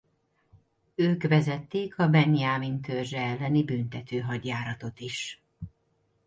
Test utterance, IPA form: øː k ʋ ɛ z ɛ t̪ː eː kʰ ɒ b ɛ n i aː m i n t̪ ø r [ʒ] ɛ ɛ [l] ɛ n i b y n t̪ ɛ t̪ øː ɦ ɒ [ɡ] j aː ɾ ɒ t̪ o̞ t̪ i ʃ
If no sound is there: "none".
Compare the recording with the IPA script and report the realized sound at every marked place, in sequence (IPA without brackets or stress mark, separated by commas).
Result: ʒ, lː, ɟ